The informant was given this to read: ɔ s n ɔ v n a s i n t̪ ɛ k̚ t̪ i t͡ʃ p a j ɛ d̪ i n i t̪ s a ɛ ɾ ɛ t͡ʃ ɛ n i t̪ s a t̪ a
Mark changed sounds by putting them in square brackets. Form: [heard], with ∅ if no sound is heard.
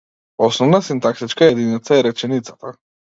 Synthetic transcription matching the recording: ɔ s n ɔ v n a s i n t̪ [a] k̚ t̪ i t͡ʃ [k] a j ɛ d̪ i n i t̪ s a ɛ ɾ ɛ t͡ʃ ɛ n i t̪ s a t̪ a

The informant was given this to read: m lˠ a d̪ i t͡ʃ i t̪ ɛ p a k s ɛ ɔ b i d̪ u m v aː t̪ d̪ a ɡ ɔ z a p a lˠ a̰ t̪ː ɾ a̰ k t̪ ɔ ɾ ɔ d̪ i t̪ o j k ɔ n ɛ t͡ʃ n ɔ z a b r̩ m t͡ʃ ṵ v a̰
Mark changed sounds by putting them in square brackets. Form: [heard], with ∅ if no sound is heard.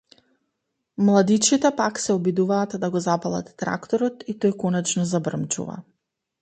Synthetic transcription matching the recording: m lˠ a d̪ i t͡ʃ i t̪ ɛ p a k s ɛ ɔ b i d̪ u [∅] v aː t̪ d̪ a ɡ ɔ z a p a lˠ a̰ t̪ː ɾ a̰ k t̪ ɔ ɾ ɔ [t̪] i t̪ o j k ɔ n ɛ t͡ʃ n ɔ z a b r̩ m t͡ʃ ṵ v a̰

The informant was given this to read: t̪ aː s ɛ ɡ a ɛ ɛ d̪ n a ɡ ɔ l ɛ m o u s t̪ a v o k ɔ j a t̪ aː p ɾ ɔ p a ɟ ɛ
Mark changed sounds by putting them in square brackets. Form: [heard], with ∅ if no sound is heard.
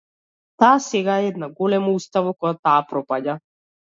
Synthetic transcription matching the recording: t̪ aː s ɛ ɡ a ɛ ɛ d̪ n a ɡ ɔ l ɛ m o u s t̪ a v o k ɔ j a t̪ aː p ɾ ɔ p a ɟ [a]

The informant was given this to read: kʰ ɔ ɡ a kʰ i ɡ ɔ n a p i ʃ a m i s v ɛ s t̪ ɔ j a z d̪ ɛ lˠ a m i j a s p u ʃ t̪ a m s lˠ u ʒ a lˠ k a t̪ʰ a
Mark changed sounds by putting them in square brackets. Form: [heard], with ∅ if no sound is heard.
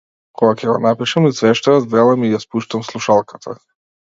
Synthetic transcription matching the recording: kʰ ɔ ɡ a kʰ [ɛ] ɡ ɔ n a p i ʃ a m i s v ɛ [ʃ] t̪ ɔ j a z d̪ ɛ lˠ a m i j a s p u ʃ t̪ a m s lˠ u [ʃ] a lˠ k a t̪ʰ a

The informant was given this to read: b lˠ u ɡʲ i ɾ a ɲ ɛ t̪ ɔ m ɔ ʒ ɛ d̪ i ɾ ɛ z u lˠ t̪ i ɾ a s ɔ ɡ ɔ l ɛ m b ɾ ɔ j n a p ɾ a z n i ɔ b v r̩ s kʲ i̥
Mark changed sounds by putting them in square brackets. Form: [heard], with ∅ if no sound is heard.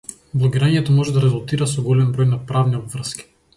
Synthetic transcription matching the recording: b lˠ [ɔ] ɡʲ i ɾ a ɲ ɛ t̪ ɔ m ɔ ʒ ɛ d̪ [a] ɾ ɛ z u lˠ t̪ i ɾ a s ɔ ɡ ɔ l ɛ m b ɾ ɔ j n a p ɾ a [v] n i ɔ b v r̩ s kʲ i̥

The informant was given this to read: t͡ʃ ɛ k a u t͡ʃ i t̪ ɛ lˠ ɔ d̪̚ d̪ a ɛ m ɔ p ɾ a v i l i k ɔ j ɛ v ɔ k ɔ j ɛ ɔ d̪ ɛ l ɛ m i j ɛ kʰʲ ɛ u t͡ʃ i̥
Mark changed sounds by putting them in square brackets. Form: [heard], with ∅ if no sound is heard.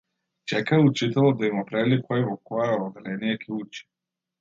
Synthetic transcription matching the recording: t͡ʃ ɛ k a u t͡ʃ i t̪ ɛ lˠ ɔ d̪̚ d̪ a [i] m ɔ p ɾ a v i l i k ɔ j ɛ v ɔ k ɔ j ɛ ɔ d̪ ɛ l ɛ [n] i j ɛ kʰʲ ɛ u t͡ʃ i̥

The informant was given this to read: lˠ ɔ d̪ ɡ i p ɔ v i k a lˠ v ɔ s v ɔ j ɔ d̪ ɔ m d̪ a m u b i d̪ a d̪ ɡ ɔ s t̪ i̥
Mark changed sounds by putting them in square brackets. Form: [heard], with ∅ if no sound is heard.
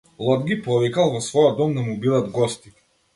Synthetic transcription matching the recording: lˠ ɔ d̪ ɡ i p ɔ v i k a lˠ v ɔ s v ɔ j ɔ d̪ ɔ m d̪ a m u b i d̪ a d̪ ɡ ɔ s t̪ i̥

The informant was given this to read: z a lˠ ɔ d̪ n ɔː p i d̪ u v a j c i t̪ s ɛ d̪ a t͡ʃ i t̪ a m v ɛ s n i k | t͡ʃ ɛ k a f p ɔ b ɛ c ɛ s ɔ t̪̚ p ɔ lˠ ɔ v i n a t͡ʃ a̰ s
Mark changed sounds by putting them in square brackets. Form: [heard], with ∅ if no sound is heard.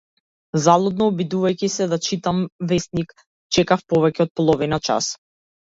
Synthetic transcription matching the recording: z a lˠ ɔ d̪ n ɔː [b] i d̪ u v a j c i [∅] s ɛ d̪ a t͡ʃ i t̪ a m v ɛ s n i k | t͡ʃ ɛ k a f p ɔ [v] ɛ c ɛ [∅] ɔ t̪̚ p ɔ lˠ ɔ v i n a t͡ʃ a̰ s

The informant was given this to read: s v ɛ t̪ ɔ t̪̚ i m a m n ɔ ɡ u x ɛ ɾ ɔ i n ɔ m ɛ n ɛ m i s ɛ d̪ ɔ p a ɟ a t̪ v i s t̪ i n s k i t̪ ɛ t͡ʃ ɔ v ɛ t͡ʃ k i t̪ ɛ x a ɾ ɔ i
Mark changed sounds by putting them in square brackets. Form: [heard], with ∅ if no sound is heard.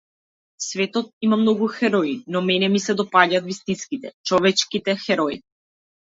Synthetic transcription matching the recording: s v ɛ t̪ ɔ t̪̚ i m a m n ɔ ɡ u x ɛ ɾ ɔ i n ɔ m ɛ n ɛ m i s ɛ d̪ ɔ p a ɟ a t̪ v i s t̪ i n s k i t̪ ɛ t͡ʃ ɔ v ɛ t͡ʃ k i t̪ ɛ x [ɛ] ɾ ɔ i

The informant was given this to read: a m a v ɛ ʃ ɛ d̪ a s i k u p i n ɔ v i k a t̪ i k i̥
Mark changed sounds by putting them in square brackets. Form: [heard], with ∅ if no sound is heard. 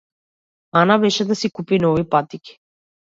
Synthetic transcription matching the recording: a [n] a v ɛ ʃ ɛ d̪ a s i k u p i n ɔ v i [p] a t̪ i k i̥

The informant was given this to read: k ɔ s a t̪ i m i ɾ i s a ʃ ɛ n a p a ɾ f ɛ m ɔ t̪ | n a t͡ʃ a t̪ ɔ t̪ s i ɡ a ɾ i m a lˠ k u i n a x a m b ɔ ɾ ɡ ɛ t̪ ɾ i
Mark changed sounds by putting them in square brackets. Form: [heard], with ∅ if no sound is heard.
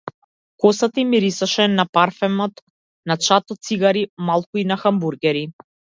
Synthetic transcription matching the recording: k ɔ s a t̪ i m i ɾ i s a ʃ ɛ n a p a ɾ f ɛ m ɔ t̪ | n a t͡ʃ a t̪ ɔ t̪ s i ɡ a ɾ i m a lˠ k u i n a x a m b [u] ɾ ɡ ɛ [∅] ɾ i

